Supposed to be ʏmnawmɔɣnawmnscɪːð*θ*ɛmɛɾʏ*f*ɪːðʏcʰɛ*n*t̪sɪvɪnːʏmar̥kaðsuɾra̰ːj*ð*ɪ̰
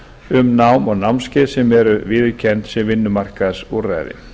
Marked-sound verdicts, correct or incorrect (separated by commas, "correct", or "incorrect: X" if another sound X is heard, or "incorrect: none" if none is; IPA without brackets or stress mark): incorrect: s, incorrect: v, correct, correct